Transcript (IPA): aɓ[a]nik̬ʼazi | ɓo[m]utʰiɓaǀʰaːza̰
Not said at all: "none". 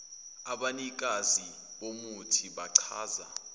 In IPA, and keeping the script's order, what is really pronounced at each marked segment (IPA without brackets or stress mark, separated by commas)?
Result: a, m